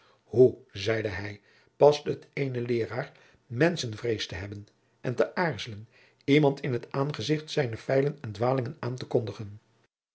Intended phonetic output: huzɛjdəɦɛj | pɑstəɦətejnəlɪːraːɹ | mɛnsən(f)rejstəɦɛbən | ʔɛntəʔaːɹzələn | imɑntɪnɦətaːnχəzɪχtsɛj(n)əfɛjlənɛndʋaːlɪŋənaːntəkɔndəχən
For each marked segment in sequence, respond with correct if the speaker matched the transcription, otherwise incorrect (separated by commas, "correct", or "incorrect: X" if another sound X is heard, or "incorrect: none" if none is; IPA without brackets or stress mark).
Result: incorrect: v, correct